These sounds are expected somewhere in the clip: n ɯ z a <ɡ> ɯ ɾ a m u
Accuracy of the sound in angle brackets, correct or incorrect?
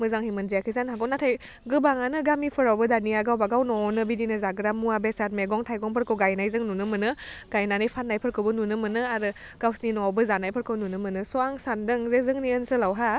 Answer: correct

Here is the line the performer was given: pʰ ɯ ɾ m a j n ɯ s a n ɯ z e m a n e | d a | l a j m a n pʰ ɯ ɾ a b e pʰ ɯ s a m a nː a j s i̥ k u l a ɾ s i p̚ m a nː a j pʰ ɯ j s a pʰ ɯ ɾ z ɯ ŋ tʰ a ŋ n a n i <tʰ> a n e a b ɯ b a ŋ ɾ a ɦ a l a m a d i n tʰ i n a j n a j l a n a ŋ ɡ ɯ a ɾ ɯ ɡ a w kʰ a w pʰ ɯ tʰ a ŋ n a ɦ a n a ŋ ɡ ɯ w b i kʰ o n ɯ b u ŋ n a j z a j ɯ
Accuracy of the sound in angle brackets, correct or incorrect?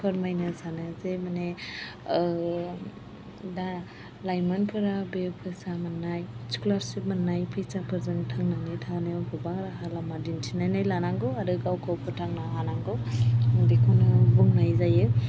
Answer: correct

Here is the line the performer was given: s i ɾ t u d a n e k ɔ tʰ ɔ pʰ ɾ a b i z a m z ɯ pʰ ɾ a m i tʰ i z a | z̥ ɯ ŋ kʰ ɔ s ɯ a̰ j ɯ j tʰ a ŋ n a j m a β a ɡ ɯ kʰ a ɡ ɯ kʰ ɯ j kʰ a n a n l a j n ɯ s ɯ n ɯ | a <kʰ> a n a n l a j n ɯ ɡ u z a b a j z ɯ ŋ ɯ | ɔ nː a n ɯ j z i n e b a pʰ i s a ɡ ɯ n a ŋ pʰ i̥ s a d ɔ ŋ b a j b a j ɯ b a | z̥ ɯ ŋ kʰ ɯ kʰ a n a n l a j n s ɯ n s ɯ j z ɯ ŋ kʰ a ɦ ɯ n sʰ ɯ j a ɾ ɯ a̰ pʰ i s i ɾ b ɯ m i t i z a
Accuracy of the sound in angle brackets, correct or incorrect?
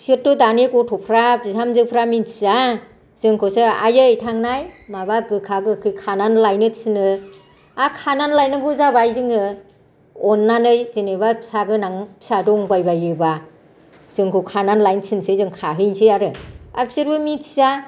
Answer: correct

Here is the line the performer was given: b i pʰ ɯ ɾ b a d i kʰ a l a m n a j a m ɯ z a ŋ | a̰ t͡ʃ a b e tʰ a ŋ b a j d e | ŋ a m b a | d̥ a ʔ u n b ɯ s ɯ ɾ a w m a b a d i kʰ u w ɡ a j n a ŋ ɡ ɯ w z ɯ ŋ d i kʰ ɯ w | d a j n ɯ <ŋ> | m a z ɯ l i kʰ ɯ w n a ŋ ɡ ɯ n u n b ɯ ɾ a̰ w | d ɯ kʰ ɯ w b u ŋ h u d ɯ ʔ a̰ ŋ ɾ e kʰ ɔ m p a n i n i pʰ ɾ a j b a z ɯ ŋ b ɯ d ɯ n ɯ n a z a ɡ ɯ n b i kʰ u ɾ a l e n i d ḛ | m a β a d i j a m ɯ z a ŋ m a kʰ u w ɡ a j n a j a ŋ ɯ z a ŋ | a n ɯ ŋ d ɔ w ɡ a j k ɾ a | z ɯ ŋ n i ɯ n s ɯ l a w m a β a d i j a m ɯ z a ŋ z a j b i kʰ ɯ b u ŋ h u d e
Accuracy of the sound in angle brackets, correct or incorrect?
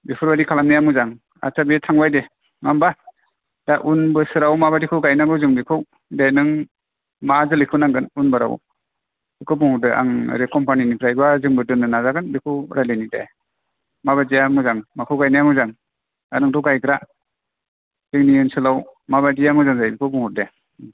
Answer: correct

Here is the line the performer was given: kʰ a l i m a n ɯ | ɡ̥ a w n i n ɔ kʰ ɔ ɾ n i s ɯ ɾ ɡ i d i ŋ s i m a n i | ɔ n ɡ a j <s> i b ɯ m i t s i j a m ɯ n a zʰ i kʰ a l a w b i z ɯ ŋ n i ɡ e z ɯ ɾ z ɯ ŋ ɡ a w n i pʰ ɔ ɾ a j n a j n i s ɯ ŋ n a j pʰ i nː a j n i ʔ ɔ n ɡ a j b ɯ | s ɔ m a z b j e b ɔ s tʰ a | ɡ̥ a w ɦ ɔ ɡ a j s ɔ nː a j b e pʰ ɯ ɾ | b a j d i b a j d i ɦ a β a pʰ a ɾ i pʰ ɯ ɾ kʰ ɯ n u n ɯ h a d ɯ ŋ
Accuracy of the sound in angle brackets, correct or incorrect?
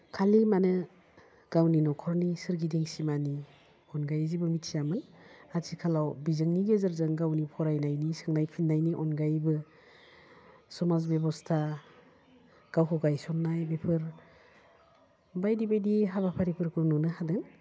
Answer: incorrect: z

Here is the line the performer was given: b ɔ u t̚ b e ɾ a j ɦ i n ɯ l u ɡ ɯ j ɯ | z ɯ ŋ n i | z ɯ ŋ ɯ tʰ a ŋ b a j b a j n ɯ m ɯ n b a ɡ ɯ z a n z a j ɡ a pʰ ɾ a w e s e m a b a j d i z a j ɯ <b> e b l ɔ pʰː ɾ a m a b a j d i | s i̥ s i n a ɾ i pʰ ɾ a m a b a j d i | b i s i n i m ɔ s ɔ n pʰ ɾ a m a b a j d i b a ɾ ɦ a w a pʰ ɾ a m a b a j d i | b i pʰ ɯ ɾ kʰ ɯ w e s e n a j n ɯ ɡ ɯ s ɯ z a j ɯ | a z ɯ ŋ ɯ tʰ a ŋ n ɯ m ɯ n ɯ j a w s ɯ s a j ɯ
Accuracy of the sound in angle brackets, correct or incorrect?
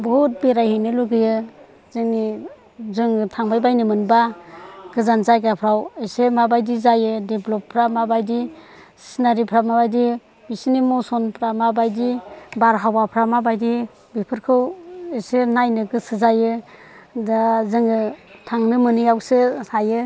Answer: incorrect: d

